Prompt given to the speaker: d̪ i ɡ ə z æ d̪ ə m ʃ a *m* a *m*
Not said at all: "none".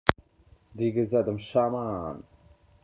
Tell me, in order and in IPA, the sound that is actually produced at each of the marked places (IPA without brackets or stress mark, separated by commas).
m, n